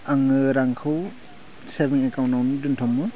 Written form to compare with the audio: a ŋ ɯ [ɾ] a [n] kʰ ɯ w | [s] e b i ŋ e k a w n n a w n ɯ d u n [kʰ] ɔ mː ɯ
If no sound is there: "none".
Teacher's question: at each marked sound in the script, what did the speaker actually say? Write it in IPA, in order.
ɾ, ŋ, s, tʰ

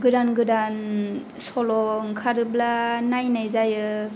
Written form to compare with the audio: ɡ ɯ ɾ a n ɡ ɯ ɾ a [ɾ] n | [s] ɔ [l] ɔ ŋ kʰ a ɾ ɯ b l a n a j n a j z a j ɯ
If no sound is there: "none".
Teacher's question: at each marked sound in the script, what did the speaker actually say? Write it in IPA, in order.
none, s, l

